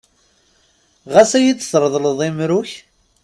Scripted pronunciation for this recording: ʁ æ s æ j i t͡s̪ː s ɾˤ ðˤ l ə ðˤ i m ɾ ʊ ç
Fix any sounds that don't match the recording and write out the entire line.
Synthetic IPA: ʁ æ s æ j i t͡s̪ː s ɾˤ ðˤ l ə ðˤ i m ɾ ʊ ç